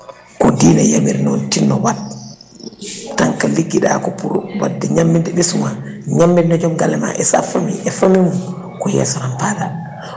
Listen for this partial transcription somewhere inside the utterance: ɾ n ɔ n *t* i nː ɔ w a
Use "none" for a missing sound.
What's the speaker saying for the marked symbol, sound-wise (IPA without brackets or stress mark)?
t